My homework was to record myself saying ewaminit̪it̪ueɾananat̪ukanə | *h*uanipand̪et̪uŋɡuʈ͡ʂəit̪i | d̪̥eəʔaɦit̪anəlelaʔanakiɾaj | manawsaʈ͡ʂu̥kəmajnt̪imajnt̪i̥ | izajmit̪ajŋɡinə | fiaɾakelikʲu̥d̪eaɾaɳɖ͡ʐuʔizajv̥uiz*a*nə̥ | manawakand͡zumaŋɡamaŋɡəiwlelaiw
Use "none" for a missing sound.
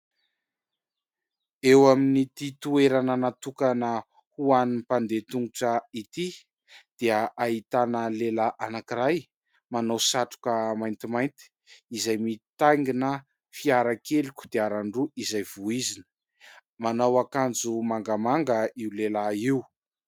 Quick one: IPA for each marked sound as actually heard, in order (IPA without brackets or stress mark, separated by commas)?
h, i